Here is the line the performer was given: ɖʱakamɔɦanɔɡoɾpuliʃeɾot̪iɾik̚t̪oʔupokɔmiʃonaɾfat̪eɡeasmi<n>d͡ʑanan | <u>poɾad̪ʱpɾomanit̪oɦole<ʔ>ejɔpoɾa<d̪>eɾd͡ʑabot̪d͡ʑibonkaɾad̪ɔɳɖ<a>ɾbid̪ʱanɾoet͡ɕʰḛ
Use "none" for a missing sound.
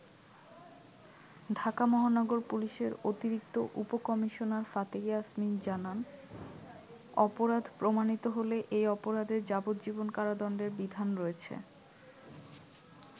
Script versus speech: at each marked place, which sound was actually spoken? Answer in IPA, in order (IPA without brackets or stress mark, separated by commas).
n, ɔ, ʔ, d̪, e